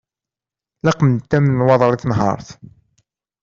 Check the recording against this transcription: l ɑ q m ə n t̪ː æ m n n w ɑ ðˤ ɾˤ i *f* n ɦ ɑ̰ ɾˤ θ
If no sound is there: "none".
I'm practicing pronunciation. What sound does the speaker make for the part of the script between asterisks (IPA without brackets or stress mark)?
θ